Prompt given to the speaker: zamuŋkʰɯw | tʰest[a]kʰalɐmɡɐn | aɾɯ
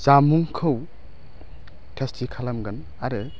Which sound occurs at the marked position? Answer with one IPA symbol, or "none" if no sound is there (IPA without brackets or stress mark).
i